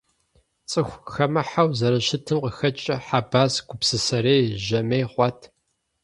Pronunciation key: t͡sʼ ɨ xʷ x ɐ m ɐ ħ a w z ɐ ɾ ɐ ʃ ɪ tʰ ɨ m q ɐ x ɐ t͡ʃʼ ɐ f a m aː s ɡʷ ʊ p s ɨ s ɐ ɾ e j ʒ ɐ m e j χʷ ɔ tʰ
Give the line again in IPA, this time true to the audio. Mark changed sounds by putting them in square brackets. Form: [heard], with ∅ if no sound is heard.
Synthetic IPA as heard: t͡sʼ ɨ xʷ x ɐ m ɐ ħ a w z ɐ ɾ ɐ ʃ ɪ tʰ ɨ m q [ə] x ɐ t͡ʃʼ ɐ [ħ] a [b] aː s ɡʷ ʊ p s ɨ s ɐ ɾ e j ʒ ɐ m e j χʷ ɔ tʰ